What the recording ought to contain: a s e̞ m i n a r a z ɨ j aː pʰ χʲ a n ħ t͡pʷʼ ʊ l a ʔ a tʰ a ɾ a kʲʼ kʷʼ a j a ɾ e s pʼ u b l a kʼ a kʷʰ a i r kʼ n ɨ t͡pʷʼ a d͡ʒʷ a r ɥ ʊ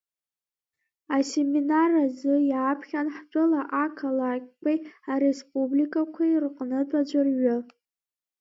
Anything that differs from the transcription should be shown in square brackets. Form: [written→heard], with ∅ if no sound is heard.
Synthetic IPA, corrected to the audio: a s e̞ m i n a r a z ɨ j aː pʰ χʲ a n ħ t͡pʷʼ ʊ l a ʔ a [tʰ→kʰ] a [ɾ→l] a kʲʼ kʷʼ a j a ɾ e s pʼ u b l [a→i] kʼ a kʷʰ a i r [kʼ→qʼ] n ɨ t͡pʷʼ a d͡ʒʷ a r ɥ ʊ